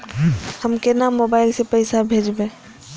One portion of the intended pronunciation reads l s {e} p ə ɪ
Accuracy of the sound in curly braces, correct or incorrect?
correct